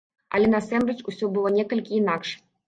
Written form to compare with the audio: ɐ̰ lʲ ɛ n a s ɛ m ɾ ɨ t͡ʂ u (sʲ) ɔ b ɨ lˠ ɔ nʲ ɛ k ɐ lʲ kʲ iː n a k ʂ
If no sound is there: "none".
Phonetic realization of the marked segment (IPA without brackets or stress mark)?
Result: sʲ